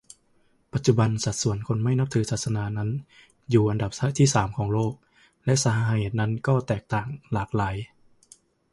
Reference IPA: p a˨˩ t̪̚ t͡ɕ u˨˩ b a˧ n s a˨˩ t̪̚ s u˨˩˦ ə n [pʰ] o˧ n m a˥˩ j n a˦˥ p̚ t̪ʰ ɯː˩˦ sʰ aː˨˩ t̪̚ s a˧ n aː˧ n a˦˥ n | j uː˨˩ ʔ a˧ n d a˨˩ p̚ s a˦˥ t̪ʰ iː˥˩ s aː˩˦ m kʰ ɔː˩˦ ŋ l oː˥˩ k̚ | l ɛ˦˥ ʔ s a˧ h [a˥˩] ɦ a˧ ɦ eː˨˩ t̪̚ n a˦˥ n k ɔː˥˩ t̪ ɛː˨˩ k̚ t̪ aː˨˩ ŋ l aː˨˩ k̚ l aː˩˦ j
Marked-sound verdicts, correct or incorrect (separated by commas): incorrect, incorrect